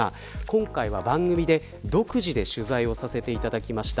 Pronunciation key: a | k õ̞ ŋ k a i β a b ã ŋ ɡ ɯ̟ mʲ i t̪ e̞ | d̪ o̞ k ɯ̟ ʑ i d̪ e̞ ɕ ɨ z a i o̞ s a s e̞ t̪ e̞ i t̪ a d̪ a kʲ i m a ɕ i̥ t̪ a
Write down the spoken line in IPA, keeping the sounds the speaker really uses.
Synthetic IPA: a | k õ̞ ŋ k a i β a b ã ŋ ɡ ɯ̟ mʲ i d̪ e̞ | d̪ o̞ k ɯ̟ ʑ i d̪ e̞ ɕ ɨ z a i o̞ s a s e̞ t̪ e̞ i t̪ a d̪ a kʲ i m a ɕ i̥ t̪ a